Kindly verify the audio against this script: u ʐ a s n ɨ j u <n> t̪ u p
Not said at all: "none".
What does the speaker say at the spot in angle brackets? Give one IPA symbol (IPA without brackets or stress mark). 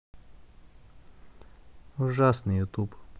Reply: none